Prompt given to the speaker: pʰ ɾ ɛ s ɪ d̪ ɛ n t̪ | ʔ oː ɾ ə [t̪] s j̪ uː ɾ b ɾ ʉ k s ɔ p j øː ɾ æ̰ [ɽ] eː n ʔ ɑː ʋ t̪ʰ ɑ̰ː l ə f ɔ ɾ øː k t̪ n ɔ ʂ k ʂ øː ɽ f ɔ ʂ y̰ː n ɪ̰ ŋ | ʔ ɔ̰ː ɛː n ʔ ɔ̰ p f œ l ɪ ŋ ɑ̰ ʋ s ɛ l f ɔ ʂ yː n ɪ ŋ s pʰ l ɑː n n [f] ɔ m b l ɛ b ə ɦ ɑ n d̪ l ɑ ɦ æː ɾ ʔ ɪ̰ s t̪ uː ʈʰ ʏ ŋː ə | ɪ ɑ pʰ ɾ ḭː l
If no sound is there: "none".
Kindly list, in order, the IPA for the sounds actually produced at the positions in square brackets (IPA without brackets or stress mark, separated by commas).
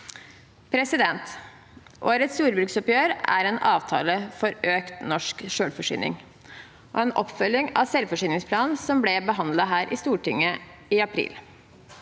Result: t̪, ɾ, s